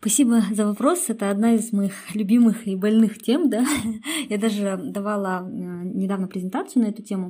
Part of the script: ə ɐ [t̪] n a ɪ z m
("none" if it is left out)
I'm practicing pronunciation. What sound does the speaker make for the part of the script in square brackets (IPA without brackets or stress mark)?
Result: d̪